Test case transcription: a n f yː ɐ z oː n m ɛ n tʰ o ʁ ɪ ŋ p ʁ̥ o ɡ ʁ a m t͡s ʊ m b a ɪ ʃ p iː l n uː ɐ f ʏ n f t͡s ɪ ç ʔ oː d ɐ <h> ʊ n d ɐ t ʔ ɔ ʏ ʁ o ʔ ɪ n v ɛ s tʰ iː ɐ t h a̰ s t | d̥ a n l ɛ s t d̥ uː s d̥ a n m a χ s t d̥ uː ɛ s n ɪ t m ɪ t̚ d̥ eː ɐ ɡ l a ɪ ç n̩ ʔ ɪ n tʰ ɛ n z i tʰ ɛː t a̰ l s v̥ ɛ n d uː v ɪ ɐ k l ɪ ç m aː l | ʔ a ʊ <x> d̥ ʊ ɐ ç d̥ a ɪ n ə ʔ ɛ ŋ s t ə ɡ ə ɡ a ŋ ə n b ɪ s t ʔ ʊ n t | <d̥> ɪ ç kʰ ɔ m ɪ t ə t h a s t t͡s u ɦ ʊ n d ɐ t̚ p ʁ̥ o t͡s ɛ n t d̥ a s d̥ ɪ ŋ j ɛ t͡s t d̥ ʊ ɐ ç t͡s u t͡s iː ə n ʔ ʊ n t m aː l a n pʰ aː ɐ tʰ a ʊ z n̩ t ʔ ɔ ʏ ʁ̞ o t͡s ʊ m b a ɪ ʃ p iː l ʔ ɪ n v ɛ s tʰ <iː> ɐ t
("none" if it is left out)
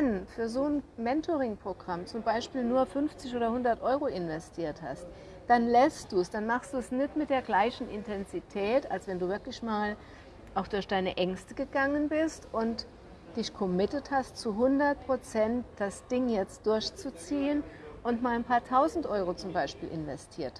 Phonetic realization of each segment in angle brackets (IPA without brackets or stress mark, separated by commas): h, x, d̥, iː